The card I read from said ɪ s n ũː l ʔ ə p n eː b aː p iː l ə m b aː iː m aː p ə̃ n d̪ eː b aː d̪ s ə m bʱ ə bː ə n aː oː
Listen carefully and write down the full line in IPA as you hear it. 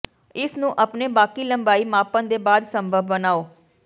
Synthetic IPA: ɪ s n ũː ʔ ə p n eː b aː k iː l ə m b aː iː m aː p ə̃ n d̪ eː b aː d̪ s ə m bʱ ə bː ə n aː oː